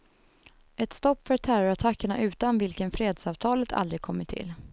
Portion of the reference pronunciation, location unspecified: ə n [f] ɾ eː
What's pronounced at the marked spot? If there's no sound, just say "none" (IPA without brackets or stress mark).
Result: f